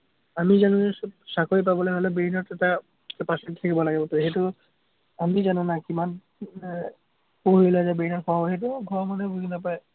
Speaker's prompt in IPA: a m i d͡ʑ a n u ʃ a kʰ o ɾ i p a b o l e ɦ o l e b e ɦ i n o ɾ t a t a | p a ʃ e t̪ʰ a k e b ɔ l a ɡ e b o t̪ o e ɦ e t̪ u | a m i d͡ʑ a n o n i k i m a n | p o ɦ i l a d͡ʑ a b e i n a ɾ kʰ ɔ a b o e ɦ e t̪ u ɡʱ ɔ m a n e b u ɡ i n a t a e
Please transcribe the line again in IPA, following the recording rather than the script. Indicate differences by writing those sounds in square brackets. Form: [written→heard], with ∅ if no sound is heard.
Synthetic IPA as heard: a m i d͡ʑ a n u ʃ a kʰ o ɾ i p a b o l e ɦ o l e b e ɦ i n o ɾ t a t a | p a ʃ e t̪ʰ [a→e] k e b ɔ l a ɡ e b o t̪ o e ɦ e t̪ u | a m i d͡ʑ a n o n [i→a] k i m a n | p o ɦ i l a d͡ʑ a b e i n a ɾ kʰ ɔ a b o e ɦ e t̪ u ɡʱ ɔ m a n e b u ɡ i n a [t→p] a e

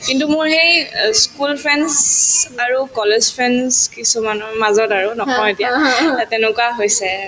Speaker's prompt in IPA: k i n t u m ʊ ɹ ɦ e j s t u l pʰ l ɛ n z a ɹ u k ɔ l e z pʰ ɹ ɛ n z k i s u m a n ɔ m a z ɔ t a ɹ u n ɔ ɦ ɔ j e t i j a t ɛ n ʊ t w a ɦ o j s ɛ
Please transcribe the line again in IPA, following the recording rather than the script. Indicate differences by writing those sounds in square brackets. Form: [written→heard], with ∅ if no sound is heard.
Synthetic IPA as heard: k i n t u m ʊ ɹ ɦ e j s [t→k] u l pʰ [l→ɹ] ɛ n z a ɹ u k ɔ l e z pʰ ɹ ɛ n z k i s u m a n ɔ m a z ɔ t a ɹ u n ɔ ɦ ɔ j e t i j a t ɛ n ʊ [t→k] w a ɦ o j s ɛ

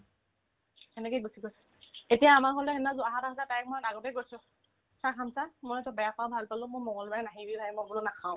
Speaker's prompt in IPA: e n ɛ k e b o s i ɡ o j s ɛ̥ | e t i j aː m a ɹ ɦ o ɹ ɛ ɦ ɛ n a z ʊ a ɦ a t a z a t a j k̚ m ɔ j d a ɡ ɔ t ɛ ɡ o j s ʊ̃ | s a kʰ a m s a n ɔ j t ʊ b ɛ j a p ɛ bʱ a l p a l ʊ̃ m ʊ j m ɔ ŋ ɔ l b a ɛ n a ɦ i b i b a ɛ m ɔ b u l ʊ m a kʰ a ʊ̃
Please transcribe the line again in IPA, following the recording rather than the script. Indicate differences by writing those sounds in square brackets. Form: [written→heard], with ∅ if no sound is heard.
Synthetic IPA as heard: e n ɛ k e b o s i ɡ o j s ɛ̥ | e t i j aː m a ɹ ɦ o [ɹ→l] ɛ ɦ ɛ n a z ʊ a ɦ a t a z a t a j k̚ m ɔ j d a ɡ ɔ t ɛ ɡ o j s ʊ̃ | s a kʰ a m s a [n→m] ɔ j t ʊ b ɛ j a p [ɛ→a] bʱ a l p a l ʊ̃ m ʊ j m ɔ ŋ ɔ l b a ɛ n a ɦ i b i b a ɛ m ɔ b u l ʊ [m→n] a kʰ a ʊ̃

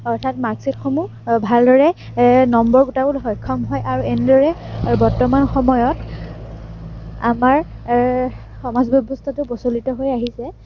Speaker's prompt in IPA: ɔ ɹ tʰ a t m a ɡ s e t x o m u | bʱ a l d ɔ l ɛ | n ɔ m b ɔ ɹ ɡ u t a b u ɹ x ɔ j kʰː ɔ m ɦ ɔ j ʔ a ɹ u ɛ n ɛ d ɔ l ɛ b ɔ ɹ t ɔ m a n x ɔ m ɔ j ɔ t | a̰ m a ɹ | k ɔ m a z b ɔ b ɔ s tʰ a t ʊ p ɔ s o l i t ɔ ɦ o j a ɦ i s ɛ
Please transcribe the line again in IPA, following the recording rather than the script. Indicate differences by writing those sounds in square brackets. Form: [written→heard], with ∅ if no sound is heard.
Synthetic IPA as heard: ɔ ɹ tʰ a t m a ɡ s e t x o m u | bʱ a l d ɔ [l→ɹ] ɛ | n ɔ m b ɔ ɹ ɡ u t a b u [ɹ→l] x ɔ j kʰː ɔ m ɦ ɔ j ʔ a ɹ u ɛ n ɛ d ɔ [l→ɹ] ɛ b ɔ ɹ t ɔ m a n x ɔ m ɔ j ɔ t | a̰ m a ɹ | [k→x] ɔ m a z b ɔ b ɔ s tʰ a t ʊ p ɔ s o l i t ɔ ɦ o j a ɦ i s ɛ

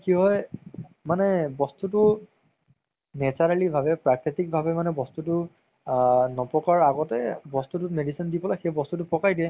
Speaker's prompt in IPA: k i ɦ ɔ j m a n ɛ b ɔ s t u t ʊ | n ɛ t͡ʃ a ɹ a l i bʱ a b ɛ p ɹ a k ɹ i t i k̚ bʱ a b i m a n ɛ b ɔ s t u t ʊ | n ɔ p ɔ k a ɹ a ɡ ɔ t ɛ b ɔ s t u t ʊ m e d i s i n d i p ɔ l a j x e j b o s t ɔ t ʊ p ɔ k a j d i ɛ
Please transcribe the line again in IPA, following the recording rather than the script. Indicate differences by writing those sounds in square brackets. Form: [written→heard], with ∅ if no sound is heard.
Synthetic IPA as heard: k i ɦ ɔ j m a n ɛ b ɔ s t u t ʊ | n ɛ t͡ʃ a ɹ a l i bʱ a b ɛ p ɹ a k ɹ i t i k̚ bʱ a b [i→ɛ] m a n ɛ b ɔ s t u t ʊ | n ɔ p ɔ k a ɹ a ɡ ɔ t ɛ b ɔ s t u t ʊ m e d i s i n d i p ɔ l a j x e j b [o→ɔ] s t [ɔ→u] t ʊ p ɔ k a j d i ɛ

